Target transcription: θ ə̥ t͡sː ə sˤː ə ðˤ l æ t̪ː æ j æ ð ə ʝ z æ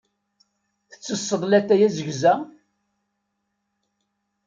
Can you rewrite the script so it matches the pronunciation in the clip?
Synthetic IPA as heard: θ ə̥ t͡sː ə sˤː ə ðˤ l æ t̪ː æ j æ z ə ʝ z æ